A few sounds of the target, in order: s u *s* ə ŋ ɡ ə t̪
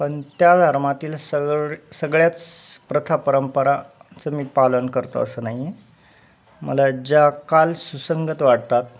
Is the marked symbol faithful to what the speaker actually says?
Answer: yes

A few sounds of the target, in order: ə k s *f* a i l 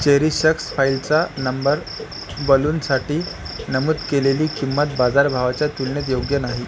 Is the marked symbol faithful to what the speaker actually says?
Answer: yes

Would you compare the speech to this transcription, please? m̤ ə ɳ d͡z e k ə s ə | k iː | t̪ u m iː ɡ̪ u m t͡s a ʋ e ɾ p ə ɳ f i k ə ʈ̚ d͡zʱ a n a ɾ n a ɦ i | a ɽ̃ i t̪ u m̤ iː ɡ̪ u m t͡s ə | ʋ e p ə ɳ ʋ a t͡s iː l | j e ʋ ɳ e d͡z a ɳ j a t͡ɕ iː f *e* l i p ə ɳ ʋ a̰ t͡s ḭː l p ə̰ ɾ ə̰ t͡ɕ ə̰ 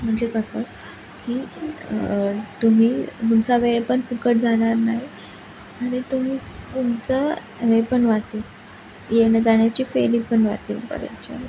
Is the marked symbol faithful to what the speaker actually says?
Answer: yes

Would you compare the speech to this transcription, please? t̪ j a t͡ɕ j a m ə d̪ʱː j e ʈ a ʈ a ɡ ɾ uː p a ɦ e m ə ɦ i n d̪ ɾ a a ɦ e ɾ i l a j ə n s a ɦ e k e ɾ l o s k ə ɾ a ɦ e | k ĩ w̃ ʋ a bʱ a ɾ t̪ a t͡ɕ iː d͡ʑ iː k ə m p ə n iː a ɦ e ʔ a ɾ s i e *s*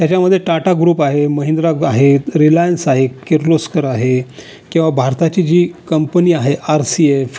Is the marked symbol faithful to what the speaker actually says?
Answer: no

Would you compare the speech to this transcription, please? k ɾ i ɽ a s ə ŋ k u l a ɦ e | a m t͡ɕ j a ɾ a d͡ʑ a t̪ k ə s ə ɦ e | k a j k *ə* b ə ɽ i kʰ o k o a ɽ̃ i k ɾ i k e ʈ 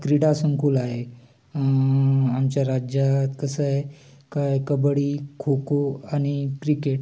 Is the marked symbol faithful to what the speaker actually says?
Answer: yes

